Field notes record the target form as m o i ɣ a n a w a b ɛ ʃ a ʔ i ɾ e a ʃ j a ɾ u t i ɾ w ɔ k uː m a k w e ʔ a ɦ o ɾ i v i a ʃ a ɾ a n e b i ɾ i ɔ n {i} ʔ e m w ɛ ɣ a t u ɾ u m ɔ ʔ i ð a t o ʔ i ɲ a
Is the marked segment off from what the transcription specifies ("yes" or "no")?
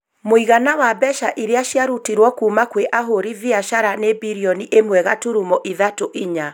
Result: no